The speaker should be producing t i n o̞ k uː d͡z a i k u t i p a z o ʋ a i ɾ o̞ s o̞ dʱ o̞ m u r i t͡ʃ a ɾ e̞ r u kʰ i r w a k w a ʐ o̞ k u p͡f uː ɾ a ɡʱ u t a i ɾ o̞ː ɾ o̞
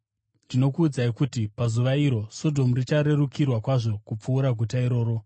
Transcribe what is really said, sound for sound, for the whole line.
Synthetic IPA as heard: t i n o̞ k uː d͡z a i k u t i p a z u ʋ a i ɾ o̞ s o̞ dʱ o̞ m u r i t͡ʃ a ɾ e̞ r u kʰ i r w a k w a ʐ o̞ k u p͡f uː ɾ a ɡʱ u t a i ɾ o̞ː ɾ o̞